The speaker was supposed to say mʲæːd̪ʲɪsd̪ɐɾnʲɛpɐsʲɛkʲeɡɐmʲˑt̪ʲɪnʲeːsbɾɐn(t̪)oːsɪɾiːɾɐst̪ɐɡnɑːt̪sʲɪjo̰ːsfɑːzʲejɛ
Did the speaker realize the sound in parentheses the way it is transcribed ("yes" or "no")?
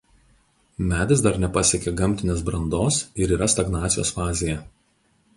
no